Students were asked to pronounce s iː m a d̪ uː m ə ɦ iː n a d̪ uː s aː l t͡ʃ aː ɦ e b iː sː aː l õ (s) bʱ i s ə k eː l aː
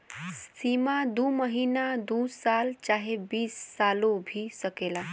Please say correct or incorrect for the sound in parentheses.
incorrect